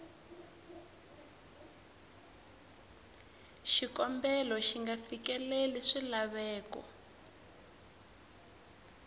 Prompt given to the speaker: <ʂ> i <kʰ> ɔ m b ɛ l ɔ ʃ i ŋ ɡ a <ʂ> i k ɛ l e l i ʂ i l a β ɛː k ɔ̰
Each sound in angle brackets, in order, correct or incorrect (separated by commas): incorrect, incorrect, incorrect